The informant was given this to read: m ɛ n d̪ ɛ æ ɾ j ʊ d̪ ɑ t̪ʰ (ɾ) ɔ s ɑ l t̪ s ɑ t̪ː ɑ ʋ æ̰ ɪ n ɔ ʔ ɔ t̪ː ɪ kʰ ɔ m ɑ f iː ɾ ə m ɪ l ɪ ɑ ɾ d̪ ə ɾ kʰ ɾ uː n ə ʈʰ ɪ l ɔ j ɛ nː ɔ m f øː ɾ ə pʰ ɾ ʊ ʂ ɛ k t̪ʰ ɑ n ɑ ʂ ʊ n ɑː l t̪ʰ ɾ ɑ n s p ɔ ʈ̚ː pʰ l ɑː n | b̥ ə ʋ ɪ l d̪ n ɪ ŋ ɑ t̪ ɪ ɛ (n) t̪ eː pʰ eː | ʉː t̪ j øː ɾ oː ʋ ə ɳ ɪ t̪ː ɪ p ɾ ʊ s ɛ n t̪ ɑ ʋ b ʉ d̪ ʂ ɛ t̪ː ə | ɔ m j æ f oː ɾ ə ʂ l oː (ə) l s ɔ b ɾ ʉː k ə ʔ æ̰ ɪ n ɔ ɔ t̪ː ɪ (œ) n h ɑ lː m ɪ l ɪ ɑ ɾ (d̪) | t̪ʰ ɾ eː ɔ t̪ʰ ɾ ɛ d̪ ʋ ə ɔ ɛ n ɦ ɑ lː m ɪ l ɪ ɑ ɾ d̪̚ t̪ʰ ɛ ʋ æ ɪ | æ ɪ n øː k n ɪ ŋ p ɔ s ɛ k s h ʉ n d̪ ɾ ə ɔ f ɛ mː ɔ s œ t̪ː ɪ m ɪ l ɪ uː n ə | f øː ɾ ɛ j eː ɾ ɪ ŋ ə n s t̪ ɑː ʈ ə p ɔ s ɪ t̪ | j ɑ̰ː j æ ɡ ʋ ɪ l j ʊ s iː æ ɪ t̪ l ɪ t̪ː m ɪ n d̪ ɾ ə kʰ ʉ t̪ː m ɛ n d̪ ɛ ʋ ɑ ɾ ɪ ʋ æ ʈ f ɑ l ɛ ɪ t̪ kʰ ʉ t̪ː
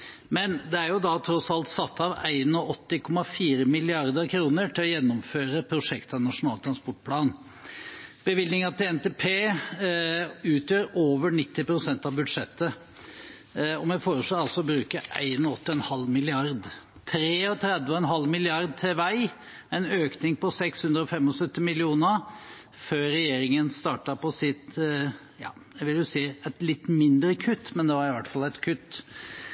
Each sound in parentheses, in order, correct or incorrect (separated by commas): correct, correct, incorrect, incorrect, correct